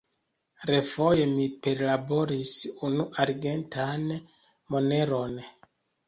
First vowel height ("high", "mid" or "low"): mid